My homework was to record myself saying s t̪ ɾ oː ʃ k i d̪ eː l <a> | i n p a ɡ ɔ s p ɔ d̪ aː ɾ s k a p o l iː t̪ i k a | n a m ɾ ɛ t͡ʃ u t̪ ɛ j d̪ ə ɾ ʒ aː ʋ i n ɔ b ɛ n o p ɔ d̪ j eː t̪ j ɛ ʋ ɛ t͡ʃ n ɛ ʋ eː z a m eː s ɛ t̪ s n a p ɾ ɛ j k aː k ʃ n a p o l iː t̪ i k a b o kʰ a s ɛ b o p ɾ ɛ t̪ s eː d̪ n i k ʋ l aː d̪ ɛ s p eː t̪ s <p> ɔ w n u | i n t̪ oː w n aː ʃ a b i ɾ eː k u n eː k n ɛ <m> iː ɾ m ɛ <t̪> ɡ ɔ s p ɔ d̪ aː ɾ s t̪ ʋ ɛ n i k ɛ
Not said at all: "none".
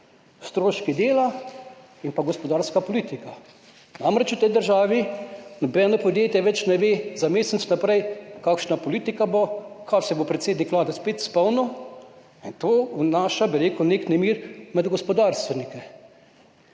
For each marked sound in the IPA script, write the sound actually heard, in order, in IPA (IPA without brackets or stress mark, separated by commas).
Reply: a, p, m, d̪